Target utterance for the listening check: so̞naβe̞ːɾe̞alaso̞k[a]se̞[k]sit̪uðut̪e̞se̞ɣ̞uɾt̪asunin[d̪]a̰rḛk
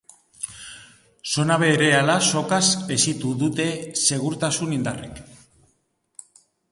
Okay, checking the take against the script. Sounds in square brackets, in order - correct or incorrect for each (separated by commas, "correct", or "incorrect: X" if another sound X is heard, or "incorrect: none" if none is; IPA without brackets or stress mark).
correct, incorrect: none, correct